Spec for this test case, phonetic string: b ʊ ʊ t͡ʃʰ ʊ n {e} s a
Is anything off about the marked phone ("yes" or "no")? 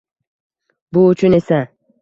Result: no